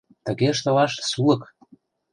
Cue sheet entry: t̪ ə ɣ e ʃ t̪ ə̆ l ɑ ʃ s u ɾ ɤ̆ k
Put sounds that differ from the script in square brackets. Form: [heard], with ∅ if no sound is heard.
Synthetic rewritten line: t̪ ə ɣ e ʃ t̪ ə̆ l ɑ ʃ s u [l] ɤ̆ k